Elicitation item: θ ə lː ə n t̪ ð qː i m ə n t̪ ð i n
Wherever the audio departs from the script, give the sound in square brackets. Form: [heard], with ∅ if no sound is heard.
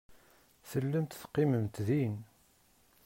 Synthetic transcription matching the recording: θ ə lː ə [m] t̪ [θ] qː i m ə [m] t̪ ð i n